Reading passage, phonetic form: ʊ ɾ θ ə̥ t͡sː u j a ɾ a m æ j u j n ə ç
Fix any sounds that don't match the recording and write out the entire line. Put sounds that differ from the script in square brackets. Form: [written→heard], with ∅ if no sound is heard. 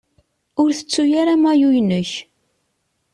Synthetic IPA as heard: ʊ ɾ θ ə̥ t͡sː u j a ɾ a m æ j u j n ə ç